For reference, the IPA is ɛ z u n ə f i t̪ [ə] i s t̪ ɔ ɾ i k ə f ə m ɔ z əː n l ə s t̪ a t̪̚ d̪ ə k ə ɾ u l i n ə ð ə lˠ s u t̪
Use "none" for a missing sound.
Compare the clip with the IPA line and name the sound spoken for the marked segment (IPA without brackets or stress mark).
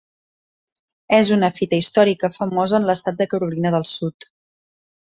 ə